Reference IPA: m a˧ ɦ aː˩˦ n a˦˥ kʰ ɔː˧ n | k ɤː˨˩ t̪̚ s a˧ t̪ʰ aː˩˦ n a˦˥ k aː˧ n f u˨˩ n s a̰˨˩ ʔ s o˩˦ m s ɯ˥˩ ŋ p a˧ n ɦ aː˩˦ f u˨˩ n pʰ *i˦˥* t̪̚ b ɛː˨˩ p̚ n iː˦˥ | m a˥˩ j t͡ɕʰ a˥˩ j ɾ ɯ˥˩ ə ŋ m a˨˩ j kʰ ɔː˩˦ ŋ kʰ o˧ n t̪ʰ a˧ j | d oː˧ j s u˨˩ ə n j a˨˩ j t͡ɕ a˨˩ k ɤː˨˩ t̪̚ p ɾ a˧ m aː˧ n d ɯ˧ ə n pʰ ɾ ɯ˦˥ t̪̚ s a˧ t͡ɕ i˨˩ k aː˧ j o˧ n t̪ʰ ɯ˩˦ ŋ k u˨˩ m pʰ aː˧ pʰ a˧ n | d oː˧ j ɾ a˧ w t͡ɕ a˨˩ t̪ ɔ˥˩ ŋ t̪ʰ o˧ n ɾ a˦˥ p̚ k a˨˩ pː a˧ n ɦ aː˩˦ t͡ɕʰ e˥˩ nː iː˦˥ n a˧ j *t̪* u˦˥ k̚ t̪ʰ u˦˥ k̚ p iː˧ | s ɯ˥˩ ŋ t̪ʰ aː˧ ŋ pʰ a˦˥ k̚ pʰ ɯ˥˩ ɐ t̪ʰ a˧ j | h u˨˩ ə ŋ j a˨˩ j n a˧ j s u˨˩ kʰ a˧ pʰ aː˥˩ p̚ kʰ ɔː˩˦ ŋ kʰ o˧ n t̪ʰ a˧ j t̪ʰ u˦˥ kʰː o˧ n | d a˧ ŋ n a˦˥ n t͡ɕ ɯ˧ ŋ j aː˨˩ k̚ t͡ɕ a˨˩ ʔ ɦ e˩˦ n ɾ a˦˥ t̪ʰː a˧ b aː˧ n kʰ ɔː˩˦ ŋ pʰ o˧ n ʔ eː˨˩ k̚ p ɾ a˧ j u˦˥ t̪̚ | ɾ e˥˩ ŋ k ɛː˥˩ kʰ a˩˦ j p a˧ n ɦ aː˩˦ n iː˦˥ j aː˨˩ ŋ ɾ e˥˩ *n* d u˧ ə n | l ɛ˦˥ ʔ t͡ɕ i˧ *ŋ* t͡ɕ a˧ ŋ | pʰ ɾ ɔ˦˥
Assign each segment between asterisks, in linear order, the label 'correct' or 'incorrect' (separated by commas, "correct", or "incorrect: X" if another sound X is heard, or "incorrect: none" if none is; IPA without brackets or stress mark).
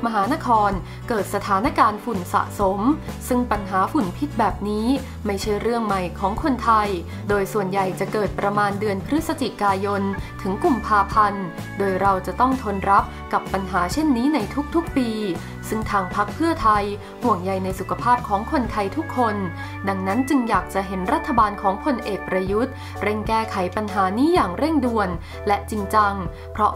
correct, incorrect: t̪ʰ, incorrect: ŋ, correct